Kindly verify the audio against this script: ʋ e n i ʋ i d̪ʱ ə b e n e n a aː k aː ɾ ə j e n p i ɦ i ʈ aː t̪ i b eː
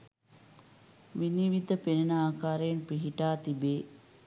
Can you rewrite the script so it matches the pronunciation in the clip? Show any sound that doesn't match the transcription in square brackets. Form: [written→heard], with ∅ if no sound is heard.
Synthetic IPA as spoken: ʋ [e→i] n i ʋ i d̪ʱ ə [b→p] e n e n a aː k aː ɾ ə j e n p i ɦ i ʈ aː t̪ i b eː